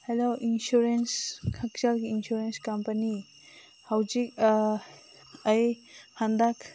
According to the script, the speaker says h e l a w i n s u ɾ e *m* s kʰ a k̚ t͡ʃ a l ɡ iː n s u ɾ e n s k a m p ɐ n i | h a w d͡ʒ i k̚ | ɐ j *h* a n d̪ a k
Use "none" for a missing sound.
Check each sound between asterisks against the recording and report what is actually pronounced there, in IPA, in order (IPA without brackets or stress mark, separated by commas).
n, h